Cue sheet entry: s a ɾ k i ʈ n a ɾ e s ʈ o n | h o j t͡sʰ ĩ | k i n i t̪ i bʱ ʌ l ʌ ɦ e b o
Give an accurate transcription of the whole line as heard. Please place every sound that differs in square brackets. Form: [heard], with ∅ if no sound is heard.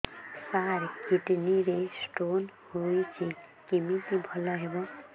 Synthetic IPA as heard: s a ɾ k i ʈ n [i] ɾ e s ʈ o n | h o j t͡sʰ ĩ | k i [m] i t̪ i bʱ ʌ l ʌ ɦ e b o